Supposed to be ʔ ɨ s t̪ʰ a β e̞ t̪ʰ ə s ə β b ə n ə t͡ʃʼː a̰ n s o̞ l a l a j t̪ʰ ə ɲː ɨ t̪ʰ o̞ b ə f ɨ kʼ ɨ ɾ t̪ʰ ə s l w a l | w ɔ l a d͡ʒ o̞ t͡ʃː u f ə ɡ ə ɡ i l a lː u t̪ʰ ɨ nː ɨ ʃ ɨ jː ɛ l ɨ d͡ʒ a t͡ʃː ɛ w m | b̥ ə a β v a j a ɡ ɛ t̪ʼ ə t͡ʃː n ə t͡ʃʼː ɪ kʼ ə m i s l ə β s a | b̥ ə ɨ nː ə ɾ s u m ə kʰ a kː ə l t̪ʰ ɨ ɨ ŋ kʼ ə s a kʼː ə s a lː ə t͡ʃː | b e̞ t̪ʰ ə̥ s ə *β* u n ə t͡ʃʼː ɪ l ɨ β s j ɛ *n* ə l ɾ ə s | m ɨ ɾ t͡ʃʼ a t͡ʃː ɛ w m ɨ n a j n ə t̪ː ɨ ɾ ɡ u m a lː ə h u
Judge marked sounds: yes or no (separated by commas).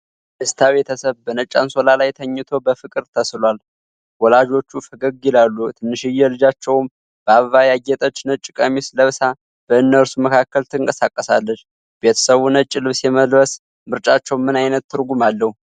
yes, no